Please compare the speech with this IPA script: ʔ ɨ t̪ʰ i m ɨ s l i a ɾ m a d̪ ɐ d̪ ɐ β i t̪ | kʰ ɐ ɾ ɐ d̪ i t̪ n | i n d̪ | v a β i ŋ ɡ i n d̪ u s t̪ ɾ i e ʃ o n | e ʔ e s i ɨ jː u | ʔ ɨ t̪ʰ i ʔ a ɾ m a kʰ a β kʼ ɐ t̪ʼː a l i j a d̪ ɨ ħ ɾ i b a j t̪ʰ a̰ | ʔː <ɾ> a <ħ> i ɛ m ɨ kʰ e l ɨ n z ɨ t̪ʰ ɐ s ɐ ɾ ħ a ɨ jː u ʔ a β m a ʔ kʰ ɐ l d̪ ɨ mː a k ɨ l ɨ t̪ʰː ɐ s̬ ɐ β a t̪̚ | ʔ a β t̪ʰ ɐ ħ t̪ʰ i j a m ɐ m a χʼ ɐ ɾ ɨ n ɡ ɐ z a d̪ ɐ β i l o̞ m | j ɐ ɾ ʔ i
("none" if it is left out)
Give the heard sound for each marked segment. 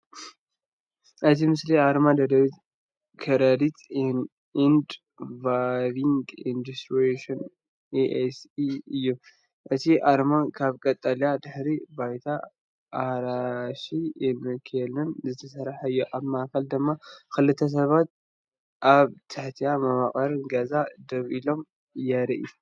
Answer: ɾ, ʃ

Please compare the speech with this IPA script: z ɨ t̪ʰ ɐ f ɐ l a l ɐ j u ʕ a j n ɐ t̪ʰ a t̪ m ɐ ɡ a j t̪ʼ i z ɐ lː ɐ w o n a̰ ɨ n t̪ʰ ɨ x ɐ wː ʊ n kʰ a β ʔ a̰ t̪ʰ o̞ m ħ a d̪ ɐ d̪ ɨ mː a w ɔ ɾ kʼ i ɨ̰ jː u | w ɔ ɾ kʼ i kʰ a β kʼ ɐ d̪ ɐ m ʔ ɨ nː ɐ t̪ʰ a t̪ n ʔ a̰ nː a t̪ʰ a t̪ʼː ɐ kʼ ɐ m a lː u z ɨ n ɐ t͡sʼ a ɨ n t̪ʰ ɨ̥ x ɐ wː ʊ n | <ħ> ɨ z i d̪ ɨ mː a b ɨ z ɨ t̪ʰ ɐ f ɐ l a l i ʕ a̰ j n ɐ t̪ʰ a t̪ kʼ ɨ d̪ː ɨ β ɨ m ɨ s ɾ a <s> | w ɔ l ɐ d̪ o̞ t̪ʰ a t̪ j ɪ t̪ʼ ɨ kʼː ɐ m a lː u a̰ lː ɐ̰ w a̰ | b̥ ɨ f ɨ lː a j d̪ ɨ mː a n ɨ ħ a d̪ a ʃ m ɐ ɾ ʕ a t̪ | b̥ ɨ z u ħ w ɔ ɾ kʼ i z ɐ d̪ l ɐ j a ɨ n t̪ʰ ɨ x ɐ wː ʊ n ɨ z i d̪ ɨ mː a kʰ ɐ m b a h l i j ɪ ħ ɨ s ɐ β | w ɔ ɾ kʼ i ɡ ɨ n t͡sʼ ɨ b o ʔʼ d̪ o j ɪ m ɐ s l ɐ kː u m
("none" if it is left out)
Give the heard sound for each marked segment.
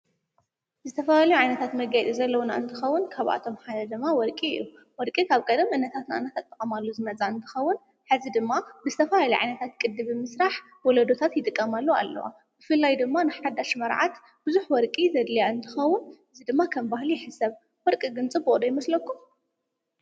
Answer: ħ, ħ

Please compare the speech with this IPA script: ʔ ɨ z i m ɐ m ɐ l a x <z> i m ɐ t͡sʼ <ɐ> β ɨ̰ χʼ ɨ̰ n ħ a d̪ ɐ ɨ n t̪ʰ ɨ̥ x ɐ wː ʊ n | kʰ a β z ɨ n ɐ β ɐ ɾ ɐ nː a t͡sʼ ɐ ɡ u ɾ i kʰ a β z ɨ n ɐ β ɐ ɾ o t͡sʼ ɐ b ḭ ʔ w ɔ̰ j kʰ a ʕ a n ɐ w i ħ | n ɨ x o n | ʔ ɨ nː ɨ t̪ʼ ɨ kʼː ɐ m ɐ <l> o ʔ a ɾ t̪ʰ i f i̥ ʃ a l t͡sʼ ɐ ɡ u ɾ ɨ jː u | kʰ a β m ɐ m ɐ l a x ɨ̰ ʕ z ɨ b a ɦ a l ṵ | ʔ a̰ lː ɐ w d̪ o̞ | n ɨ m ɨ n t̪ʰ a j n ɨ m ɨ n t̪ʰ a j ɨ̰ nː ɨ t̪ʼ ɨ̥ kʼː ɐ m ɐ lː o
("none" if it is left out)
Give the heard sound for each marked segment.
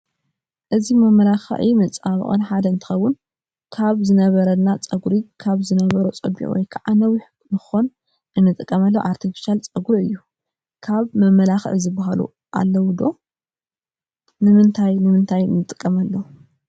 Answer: ʕ, a, lː

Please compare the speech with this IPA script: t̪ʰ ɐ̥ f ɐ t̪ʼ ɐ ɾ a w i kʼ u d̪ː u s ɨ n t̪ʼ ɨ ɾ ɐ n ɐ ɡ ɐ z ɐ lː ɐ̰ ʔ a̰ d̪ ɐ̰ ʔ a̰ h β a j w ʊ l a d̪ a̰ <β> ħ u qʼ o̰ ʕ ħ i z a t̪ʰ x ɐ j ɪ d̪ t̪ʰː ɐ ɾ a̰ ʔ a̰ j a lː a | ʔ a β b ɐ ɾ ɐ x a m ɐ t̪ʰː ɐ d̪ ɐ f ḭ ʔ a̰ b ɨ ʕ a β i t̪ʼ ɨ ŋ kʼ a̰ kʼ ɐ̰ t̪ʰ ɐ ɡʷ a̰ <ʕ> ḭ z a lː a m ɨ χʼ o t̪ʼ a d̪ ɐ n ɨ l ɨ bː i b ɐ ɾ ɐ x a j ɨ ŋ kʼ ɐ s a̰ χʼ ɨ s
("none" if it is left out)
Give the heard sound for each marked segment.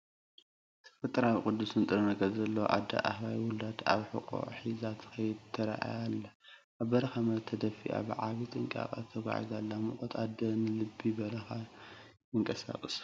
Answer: β, ʕ

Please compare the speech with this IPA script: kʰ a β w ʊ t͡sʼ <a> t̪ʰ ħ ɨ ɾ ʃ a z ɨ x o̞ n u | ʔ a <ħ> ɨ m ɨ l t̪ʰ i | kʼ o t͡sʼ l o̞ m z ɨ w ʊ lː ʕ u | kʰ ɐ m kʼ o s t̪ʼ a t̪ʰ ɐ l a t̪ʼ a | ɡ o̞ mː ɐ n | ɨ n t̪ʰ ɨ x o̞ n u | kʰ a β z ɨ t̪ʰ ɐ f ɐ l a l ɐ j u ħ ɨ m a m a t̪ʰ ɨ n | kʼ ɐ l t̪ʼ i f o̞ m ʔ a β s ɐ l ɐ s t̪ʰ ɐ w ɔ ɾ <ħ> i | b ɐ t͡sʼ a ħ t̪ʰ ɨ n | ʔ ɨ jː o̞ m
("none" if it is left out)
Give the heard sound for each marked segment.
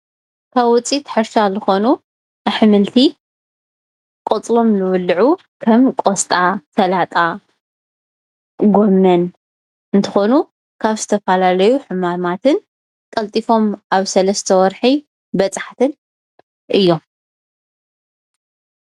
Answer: i, ħ, ħ

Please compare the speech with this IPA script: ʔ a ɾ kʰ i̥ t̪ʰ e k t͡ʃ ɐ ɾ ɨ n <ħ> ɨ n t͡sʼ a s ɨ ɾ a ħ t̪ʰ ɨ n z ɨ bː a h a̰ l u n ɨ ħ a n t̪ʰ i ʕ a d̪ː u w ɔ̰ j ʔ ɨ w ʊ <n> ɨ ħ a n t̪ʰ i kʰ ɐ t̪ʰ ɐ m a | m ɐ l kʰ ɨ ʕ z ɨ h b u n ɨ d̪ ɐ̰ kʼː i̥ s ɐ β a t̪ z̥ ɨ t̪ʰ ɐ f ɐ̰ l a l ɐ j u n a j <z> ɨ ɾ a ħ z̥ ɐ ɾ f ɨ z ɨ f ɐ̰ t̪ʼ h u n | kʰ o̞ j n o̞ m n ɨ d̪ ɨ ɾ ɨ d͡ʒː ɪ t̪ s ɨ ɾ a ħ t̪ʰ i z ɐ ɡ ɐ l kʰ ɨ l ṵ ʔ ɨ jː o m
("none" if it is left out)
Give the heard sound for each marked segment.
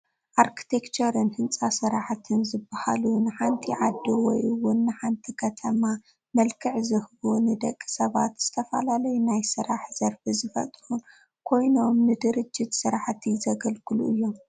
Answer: h, nː, s

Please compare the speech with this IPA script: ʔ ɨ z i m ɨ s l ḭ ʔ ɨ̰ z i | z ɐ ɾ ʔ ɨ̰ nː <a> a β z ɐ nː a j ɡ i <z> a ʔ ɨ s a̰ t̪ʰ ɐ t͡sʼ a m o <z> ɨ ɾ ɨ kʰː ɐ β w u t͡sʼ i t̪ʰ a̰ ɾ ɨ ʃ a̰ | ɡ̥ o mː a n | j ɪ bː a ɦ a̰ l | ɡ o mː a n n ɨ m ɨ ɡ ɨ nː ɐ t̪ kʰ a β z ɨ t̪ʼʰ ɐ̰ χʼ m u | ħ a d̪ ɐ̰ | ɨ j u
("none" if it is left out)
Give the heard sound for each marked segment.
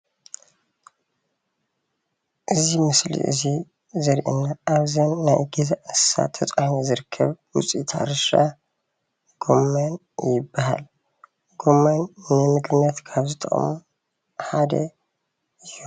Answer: a, z, z

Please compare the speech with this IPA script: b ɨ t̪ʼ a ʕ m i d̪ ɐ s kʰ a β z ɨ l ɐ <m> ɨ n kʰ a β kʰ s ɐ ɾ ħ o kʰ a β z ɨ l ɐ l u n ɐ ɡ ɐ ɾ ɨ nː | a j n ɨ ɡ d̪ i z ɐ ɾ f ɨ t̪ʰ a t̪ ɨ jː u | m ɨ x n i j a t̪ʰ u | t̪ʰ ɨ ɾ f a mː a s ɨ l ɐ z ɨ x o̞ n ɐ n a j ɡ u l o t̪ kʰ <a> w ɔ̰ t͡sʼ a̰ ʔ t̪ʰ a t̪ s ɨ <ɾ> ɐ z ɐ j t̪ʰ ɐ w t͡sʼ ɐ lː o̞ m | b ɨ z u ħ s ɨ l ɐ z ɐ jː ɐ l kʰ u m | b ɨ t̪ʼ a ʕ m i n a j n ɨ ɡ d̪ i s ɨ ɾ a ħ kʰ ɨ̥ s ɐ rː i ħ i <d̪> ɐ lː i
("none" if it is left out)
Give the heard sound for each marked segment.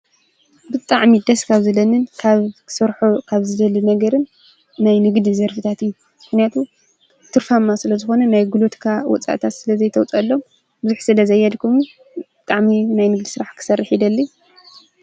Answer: n, a, l, d̪

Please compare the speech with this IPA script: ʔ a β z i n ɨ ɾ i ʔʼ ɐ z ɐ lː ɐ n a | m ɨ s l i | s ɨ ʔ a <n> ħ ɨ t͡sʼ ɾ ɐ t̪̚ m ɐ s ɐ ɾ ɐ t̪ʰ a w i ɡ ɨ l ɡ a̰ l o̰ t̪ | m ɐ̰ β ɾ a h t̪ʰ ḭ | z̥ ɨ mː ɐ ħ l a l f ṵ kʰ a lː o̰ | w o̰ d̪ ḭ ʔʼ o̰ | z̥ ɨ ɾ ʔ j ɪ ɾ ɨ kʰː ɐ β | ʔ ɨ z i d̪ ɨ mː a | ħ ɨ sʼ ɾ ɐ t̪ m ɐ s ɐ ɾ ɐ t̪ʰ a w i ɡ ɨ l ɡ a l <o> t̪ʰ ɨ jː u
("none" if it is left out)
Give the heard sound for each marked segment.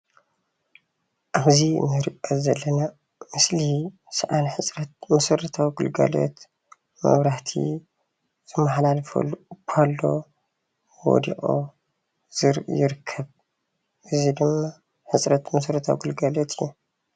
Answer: n, o

